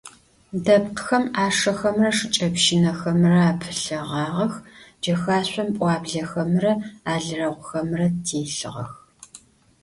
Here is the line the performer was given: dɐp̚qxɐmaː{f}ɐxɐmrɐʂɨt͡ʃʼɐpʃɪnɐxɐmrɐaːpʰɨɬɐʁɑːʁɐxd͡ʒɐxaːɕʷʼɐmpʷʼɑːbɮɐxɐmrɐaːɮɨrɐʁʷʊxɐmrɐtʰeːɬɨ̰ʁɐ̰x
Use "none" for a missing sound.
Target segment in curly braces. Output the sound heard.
ʂ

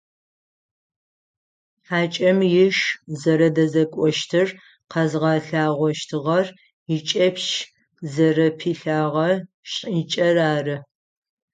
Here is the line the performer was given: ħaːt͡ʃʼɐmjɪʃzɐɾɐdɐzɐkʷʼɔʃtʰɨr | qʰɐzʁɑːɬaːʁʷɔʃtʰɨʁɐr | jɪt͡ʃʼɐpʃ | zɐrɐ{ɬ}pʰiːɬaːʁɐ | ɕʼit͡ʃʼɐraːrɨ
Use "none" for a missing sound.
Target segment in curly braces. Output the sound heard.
none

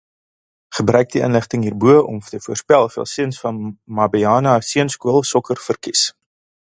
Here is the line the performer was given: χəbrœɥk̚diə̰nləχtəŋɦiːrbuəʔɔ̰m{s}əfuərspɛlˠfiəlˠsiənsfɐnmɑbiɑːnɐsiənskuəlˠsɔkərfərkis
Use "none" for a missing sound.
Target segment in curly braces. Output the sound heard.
t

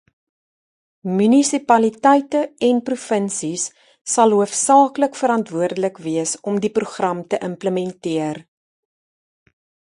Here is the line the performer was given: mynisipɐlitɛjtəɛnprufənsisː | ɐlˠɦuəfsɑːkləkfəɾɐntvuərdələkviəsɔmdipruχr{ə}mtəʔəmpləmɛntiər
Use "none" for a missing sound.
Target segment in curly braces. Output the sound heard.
ɐ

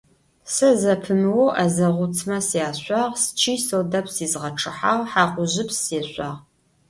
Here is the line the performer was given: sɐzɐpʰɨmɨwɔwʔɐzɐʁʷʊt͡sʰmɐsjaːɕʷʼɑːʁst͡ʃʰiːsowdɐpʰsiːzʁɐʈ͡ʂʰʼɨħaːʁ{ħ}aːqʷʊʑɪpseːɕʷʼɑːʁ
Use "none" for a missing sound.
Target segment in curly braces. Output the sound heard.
ħ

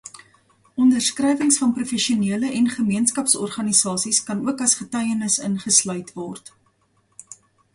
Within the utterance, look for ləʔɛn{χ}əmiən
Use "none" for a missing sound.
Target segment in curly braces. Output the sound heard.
χ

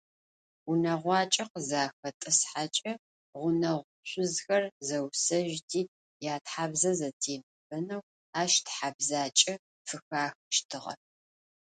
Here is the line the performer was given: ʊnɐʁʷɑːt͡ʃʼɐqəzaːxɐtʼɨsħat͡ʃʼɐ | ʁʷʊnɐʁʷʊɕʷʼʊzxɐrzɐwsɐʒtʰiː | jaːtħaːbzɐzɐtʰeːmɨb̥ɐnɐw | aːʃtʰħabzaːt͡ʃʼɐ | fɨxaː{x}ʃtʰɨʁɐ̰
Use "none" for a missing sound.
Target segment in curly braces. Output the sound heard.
x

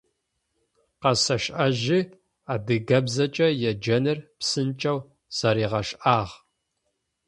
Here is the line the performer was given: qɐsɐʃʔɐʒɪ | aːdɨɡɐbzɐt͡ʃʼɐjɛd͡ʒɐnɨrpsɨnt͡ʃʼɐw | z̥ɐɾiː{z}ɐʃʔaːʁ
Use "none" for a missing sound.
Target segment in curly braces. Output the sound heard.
ʁ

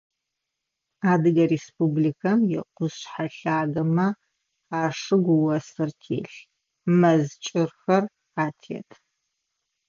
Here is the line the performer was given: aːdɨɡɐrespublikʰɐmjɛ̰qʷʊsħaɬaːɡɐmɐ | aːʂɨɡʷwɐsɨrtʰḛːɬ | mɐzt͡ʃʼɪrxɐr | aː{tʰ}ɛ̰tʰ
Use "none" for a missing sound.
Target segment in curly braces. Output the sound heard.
tʰ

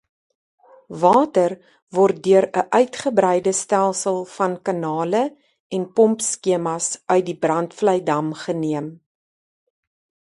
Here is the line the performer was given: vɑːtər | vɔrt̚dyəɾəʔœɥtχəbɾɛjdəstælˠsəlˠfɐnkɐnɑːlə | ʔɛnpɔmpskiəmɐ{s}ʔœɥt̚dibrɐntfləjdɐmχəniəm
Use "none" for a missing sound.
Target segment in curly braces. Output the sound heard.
s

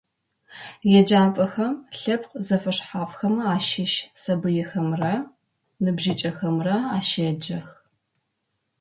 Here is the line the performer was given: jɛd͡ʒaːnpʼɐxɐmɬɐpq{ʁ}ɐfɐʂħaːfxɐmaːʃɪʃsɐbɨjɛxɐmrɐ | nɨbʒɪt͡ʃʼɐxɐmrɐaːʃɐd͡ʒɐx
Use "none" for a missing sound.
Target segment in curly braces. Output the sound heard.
z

